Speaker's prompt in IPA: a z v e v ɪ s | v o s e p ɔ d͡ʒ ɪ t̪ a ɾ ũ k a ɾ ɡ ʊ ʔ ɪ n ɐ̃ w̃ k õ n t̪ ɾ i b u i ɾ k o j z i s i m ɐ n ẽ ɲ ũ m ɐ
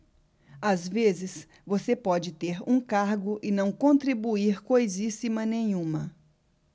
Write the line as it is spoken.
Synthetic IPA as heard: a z v e z ɪ s | v o s e p ɔ d͡ʒ ɪ t̪ e ɾ ũ k a ɾ ɡ ʊ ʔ ɪ n ɐ̃ w̃ k õ n t̪ ɾ i b u i ɾ k o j z i s i m ɐ n ẽ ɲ ũ m ɐ